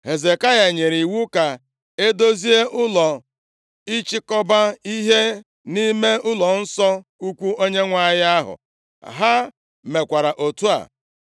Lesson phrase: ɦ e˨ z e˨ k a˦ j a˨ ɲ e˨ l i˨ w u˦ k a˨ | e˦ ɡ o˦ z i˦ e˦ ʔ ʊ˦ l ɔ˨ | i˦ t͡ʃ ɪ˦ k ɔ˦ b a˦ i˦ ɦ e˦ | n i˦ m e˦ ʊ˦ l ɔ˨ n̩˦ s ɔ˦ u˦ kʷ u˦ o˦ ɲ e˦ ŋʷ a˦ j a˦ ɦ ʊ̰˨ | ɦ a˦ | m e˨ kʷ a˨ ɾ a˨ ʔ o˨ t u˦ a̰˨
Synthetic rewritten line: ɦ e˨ z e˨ k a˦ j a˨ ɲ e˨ ɾ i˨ w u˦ k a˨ | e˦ d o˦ z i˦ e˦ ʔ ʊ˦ l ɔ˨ | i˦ t͡ʃ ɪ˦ k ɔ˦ b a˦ i˦ ɦ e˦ | n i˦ m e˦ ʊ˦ l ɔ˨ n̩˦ s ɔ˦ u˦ kʷ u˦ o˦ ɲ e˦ ŋʷ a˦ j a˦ ɦ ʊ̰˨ | ɦ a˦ | m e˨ kʷ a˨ ɾ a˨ ʔ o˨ t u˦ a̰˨